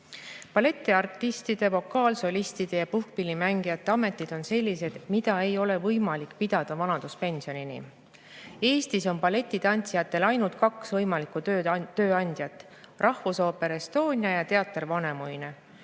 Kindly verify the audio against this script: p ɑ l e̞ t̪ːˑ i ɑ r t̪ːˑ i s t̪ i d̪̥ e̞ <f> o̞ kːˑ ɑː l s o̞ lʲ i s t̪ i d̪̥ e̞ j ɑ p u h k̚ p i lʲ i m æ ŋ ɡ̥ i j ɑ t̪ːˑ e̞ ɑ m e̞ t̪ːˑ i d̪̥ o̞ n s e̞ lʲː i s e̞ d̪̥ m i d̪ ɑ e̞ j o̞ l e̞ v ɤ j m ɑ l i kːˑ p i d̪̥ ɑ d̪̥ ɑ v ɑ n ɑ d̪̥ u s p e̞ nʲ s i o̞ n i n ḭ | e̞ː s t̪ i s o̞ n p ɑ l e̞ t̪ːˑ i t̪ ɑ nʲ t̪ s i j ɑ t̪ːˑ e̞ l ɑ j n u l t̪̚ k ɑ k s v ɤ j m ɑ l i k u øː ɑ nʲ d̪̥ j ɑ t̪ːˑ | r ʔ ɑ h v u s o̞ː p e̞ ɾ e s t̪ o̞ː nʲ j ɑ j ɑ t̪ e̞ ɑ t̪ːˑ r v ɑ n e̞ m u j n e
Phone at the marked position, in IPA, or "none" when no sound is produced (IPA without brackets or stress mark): v